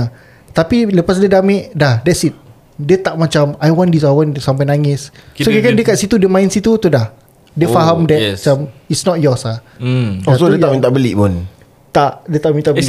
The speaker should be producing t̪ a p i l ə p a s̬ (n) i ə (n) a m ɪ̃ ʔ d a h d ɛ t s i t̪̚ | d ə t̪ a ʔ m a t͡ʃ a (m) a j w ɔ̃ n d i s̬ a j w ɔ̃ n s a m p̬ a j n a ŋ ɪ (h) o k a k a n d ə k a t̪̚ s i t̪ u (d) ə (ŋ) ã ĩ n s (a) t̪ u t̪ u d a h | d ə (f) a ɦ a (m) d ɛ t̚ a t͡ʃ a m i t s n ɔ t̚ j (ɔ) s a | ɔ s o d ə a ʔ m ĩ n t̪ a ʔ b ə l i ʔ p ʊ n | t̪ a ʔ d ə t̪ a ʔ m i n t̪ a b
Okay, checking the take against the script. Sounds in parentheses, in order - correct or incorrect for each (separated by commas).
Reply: incorrect, incorrect, correct, incorrect, correct, incorrect, incorrect, correct, correct, correct